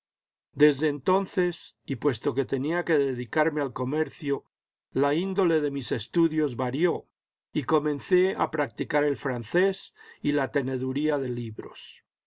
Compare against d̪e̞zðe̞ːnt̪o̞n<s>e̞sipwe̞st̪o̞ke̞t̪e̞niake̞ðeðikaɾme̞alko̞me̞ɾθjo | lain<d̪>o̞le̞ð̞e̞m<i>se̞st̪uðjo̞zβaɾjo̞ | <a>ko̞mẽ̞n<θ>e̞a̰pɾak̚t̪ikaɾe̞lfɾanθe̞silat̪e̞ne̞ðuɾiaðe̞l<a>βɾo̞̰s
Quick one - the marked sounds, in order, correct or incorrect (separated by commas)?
incorrect, correct, correct, incorrect, correct, incorrect